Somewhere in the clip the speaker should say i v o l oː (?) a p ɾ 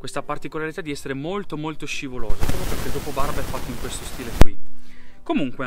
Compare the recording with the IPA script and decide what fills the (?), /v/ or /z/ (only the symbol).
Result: z